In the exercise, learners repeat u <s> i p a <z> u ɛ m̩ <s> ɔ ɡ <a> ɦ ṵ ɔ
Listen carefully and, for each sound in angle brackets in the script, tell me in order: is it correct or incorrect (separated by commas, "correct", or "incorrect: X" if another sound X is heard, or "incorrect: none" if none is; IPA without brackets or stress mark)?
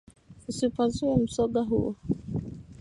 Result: correct, correct, correct, correct